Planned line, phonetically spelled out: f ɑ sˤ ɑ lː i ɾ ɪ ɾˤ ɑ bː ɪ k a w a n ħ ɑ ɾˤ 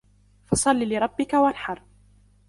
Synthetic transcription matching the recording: f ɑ sˤ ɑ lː i l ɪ ɾˤ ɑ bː ɪ k a w a n ħ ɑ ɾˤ